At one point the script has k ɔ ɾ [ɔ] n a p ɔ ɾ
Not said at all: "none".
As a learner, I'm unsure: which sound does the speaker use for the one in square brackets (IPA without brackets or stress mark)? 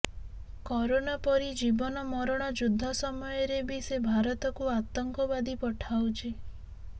o